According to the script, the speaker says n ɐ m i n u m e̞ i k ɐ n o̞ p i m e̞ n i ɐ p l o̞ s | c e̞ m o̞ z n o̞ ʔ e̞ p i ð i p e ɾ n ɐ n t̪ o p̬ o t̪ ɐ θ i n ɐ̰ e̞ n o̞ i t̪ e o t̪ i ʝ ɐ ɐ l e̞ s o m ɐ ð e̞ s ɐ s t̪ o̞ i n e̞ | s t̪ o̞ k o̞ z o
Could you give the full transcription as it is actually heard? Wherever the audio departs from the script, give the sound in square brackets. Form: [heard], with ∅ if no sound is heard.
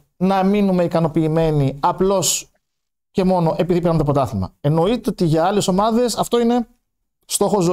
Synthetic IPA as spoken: n ɐ m i n u m e̞ i k ɐ n o̞ p [iː] m e̞ n i ɐ p l o̞ s | c e̞ m o̞ [∅] n o̞ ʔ e̞ p i ð i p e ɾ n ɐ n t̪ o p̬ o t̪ ɐ θ i [m] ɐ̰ e̞ n o̞ i t̪ e o t̪ i ʝ ɐ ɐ l e̞ s o m ɐ ð e̞ s ɐ [f] t̪ o̞ i n e̞ | s t̪ o̞ [x] o̞ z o